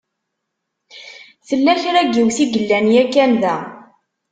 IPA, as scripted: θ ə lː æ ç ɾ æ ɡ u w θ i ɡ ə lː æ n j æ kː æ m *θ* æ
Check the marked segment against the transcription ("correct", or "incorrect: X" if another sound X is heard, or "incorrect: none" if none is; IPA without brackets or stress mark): incorrect: ð